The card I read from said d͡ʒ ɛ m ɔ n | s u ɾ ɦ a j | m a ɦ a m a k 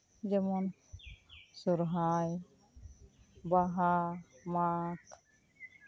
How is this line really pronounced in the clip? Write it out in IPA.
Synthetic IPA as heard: d͡ʒ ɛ m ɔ n | s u ɾ ɦ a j | b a ɦ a m a k